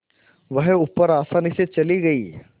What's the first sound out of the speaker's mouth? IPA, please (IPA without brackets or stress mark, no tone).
ʋ